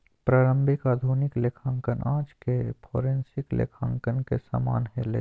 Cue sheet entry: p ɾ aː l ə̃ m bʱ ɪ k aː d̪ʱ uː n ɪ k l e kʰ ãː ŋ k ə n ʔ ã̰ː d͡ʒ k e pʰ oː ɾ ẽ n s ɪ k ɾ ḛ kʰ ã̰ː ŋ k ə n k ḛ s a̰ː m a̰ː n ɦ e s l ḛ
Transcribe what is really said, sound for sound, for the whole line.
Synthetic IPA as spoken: p ɾ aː ɾ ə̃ m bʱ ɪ k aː d̪ʱ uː n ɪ k l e kʰ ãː ŋ k ə n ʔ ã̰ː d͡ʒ k e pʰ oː ɾ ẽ n s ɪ k l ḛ kʰ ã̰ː ŋ k ə n k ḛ s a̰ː m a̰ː n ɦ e l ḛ